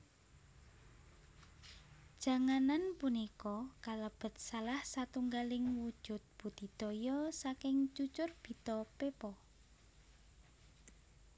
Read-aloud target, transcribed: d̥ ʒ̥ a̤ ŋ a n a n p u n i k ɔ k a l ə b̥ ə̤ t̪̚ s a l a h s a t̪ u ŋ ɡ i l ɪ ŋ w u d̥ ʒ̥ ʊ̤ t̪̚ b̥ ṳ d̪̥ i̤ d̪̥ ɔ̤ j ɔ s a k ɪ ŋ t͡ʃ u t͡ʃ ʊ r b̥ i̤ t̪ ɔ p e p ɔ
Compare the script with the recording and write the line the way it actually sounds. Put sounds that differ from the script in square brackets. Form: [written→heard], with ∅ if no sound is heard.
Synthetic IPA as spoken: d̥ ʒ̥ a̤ ŋ a n a n p u n i k ɔ k a l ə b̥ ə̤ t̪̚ s a l a h s a t̪ u ŋ ɡ [i→a] l ɪ ŋ w u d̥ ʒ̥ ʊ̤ t̪̚ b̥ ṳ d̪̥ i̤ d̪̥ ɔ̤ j ɔ s a k ɪ ŋ t͡ʃ u t͡ʃ ʊ r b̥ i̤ t̪ ɔ p e p ɔ